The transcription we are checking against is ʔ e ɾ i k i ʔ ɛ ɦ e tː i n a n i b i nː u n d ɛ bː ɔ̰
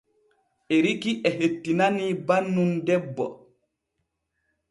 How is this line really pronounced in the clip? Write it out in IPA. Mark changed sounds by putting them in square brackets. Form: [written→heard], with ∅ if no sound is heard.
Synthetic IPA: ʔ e ɾ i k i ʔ ɛ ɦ e tː i n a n i b [i→a] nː u n d ɛ bː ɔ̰